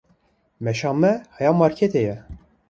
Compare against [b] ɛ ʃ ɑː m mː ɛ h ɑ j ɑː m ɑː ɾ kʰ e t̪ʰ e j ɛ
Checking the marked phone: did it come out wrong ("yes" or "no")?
yes